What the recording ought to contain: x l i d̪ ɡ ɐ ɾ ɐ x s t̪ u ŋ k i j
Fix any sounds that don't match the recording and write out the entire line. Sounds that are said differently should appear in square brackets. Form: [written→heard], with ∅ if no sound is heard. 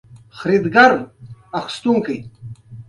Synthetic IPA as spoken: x [l→ɾ] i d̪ ɡ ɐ ɾ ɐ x s t̪ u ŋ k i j